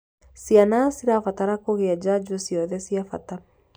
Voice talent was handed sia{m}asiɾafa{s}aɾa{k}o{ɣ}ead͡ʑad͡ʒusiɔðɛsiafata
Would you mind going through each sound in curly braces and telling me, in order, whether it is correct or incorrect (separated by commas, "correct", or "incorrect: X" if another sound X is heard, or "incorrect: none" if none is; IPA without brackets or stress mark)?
incorrect: n, incorrect: t, correct, correct